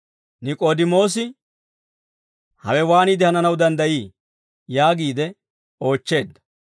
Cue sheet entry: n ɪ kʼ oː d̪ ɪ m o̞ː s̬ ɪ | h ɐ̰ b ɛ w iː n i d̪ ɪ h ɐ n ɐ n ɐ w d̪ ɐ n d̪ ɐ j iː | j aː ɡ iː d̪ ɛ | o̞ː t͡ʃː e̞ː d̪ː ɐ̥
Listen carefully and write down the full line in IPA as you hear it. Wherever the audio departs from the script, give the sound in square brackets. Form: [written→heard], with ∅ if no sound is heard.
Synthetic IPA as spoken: n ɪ kʼ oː d̪ ɪ m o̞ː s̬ ɪ | h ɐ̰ [b→w] ɛ w [iː→aː] n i d̪ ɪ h ɐ n ɐ n ɐ w d̪ ɐ n d̪ ɐ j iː | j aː ɡ iː d̪ ɛ | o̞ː t͡ʃː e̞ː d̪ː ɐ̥